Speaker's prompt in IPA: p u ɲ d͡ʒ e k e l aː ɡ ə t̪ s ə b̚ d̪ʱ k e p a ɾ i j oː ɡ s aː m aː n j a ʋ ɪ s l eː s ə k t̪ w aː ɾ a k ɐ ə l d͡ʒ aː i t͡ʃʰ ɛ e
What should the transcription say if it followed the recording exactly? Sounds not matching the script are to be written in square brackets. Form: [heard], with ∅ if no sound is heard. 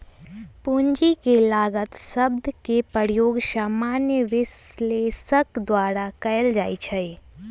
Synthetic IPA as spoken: p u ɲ d͡ʒ [i] k e l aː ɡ ə t̪ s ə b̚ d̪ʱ k e p [ə] ɾ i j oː ɡ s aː m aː n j [ə] ʋ ɪ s l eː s ə k [d̪] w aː ɾ a k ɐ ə l d͡ʒ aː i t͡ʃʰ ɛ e